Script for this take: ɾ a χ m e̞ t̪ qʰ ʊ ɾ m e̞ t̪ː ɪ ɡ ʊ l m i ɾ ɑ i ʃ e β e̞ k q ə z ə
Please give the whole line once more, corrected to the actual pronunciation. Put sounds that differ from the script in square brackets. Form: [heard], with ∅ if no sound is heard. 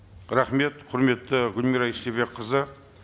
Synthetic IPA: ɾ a χ m e̞ t̪ qʰ ʊ ɾ m e̞ t̪ː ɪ ɡ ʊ l m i ɾ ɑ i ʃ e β e̞ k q ə z ə